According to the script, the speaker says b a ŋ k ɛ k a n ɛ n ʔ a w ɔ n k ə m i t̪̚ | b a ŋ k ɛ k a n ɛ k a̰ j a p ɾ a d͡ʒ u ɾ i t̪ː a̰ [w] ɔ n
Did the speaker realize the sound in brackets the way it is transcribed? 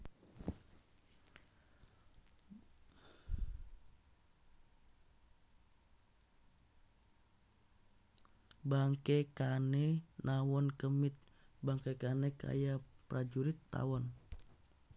yes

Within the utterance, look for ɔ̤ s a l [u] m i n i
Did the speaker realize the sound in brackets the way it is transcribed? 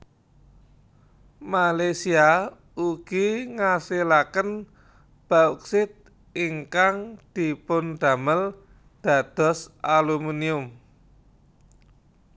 yes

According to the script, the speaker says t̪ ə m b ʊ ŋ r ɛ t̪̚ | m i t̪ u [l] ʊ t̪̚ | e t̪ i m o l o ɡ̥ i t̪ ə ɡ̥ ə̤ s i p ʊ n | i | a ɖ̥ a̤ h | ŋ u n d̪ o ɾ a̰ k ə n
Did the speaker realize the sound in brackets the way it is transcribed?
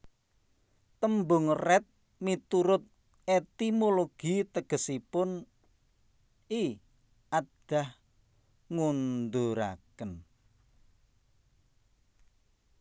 no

